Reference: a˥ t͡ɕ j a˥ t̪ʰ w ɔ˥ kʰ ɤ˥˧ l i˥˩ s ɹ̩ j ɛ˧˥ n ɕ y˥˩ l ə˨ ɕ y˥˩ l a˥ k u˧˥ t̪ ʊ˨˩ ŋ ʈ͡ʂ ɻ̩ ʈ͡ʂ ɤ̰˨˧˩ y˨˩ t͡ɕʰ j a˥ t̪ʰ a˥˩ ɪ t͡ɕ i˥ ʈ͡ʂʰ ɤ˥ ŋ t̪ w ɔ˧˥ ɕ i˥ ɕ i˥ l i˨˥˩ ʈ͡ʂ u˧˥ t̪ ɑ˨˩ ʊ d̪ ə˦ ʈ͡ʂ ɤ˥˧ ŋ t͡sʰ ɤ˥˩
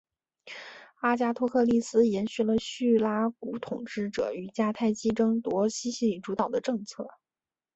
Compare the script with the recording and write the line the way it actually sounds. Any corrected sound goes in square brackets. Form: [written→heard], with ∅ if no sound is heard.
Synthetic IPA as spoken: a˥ t͡ɕ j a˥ t̪ʰ w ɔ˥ kʰ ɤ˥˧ l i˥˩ s ɹ̩ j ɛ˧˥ n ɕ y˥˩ l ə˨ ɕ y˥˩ l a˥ k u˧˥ [t̪→t̪ʰ] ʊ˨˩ ŋ ʈ͡ʂ ɻ̩ ʈ͡ʂ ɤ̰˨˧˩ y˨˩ [t͡ɕʰ→t͡ɕ] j a˥ t̪ʰ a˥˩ ɪ t͡ɕ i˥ [ʈ͡ʂʰ→ʈ͡ʂ] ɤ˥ ŋ t̪ w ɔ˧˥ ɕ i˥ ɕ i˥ l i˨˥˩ ʈ͡ʂ u˧˥ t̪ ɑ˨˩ ʊ d̪ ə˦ ʈ͡ʂ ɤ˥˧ ŋ t͡sʰ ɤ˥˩